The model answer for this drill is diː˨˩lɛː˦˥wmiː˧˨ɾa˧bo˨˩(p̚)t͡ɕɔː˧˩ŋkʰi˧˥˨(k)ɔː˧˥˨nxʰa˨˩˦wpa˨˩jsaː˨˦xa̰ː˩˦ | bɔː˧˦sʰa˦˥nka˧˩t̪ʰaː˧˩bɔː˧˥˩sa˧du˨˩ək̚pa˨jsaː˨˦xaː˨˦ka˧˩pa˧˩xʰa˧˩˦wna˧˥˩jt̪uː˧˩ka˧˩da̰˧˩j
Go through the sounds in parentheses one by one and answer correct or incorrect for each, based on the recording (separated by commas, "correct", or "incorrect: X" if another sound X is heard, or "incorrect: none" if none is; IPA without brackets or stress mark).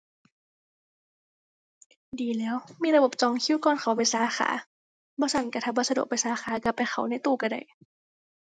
correct, correct